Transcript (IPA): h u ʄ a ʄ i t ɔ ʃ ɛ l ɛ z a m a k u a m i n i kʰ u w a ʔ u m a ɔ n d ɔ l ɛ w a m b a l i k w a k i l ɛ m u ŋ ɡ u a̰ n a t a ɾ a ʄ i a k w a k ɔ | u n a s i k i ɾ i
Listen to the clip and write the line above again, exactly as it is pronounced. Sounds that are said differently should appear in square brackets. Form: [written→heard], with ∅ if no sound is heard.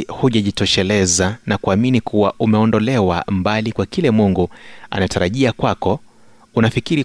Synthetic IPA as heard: h u ʄ a ʄ i t ɔ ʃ ɛ l ɛ z a [m→n] a k u a m i n i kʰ u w a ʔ u m [a→ɛ] ɔ n d ɔ l ɛ w a m b a l i k w a k i l ɛ m u ŋ ɡ u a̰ n a t a ɾ a ʄ i a k w a k ɔ | u n a [s→f] i k i ɾ i